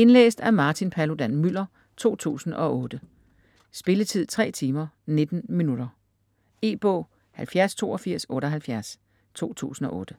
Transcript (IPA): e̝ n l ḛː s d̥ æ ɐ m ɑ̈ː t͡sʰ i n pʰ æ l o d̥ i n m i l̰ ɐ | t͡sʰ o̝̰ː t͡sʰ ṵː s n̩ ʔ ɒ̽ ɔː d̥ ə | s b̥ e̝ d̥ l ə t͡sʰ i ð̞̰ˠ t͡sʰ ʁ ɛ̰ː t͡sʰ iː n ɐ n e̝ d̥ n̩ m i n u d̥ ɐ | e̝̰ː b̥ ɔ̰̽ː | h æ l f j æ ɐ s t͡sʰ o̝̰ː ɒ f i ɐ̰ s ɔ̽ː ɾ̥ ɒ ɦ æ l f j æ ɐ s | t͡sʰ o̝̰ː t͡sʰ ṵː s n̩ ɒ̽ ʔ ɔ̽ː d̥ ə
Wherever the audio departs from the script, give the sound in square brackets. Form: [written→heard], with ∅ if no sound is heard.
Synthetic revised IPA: e̝ n l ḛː s d̥ æ ɐ m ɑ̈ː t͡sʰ i n pʰ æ l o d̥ [i→æ] n m [i→y] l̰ ɐ | t͡sʰ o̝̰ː t͡sʰ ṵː s n̩ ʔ ɒ̽ ɔː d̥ ə | s b̥ e̝ [d̥→∅] l ə t͡sʰ i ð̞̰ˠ t͡sʰ ʁ ɛ̰ː t͡sʰ iː [n→m] ɐ n e̝ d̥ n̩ m i n u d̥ ɐ | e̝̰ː b̥ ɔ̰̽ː | h æ l f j æ ɐ s t͡sʰ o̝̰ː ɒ f i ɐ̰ s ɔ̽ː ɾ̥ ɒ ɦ æ l f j æ ɐ s | t͡sʰ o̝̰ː t͡sʰ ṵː s n̩ ɒ̽ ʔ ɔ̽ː d̥ ə